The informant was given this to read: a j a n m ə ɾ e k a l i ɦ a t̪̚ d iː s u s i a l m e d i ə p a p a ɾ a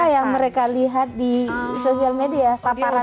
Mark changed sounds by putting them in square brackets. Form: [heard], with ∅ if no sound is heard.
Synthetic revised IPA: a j a [ŋ] m ə ɾ e k a l i ɦ a t̪̚ d [i] s [o] s i a l m e d i [a] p a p a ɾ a